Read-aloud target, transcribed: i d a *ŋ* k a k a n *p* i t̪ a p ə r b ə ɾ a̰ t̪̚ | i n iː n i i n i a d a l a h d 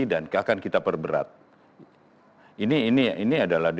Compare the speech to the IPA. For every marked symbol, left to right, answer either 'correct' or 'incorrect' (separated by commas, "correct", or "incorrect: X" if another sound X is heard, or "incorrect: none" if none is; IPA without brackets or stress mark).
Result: incorrect: n, incorrect: k